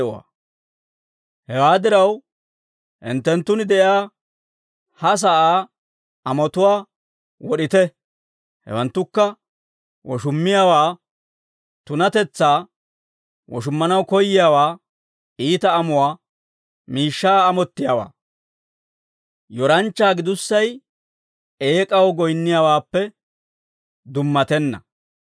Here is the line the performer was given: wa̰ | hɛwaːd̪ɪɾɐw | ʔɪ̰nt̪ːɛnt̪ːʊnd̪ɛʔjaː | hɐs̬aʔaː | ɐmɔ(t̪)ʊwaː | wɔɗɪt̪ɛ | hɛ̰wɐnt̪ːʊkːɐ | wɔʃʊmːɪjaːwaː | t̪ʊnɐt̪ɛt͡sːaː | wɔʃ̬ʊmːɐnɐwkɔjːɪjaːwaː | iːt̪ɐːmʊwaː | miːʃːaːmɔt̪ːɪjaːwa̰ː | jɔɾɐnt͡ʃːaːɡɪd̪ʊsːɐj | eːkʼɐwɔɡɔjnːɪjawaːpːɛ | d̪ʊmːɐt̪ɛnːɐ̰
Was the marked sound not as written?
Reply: no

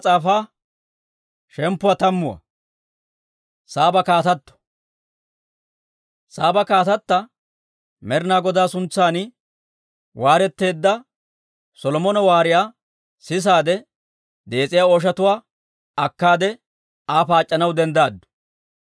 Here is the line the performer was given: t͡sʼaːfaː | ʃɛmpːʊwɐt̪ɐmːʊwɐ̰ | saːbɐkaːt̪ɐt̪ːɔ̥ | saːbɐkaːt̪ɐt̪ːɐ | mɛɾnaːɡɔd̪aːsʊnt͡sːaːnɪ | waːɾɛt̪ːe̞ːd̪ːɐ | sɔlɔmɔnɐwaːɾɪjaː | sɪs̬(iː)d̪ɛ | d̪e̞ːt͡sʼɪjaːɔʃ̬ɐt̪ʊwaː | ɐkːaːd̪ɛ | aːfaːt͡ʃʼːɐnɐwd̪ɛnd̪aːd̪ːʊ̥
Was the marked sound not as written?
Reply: yes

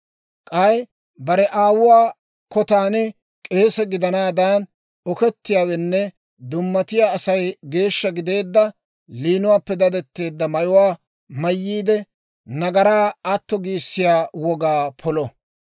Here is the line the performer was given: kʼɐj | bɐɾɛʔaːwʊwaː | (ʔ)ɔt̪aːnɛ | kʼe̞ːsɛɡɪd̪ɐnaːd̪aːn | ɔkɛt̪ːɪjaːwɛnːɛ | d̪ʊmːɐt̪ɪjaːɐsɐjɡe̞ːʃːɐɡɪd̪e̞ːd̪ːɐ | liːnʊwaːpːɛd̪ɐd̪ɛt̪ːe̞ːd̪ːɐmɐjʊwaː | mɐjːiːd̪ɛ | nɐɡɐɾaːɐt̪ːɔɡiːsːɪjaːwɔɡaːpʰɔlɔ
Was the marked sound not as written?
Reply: yes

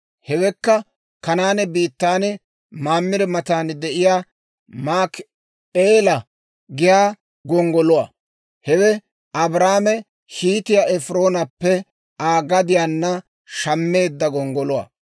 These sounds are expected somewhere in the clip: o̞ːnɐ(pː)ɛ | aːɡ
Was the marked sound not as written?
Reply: no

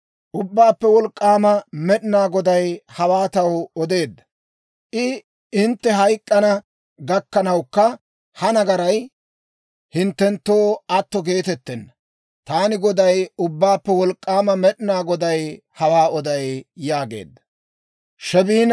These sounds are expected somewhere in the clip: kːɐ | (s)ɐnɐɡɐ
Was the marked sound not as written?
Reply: yes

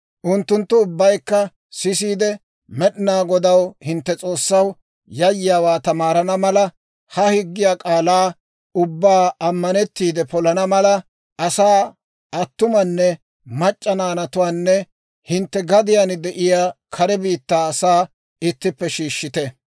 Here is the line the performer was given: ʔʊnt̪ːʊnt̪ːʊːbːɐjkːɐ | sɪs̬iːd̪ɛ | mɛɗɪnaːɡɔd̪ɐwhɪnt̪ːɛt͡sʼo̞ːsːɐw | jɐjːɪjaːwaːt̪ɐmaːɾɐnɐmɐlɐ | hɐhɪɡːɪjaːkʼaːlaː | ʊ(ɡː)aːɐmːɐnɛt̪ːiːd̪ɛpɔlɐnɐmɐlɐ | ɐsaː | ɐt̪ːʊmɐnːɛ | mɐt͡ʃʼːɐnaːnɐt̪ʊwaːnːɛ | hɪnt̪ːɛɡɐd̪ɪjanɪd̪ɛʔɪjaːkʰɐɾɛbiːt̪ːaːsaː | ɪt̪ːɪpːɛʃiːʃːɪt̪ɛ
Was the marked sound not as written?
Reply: yes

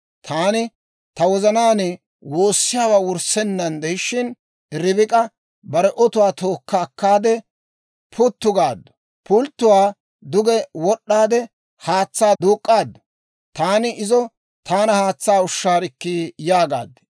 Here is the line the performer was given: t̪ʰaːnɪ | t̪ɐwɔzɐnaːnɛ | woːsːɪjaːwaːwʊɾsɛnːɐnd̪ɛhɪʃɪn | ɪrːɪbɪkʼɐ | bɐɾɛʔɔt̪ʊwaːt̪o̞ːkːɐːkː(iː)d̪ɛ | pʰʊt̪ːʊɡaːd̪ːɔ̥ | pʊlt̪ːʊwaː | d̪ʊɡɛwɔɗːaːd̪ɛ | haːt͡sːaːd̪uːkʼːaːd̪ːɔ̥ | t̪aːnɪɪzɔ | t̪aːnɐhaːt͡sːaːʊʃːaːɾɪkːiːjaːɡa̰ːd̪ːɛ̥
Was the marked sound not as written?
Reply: yes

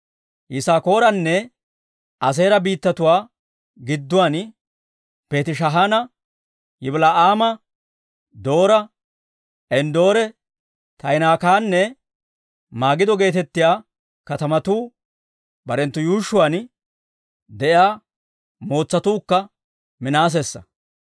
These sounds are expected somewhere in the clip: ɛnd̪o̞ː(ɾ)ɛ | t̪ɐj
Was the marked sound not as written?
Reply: no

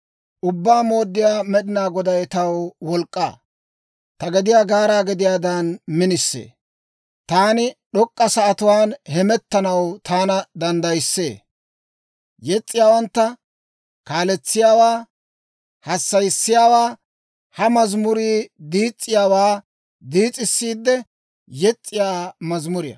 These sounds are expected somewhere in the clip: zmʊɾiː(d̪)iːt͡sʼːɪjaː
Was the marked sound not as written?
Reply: no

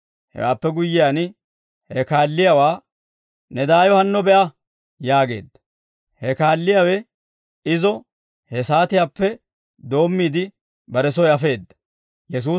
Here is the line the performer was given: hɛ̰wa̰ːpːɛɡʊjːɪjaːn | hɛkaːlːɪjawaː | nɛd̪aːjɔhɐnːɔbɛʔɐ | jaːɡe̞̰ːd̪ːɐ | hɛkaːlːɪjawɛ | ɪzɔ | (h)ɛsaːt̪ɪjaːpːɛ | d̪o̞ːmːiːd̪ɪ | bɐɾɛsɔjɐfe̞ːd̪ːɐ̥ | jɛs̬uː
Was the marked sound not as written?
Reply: no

